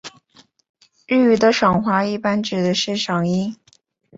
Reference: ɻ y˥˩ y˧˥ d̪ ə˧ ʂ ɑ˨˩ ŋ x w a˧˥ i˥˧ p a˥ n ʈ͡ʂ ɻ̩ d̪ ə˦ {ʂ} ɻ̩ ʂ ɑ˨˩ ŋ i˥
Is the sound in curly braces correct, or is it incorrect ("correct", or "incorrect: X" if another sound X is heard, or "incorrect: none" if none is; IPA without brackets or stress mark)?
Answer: correct